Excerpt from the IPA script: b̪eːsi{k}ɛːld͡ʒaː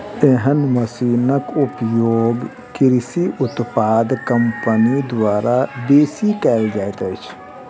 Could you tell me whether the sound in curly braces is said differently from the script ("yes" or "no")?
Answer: no